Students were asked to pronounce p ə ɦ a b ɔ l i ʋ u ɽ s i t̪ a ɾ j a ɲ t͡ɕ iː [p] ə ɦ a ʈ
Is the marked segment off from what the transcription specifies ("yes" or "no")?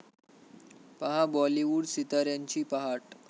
no